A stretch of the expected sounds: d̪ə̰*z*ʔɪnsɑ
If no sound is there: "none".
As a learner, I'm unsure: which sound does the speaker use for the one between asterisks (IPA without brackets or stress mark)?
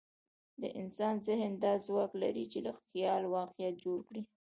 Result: none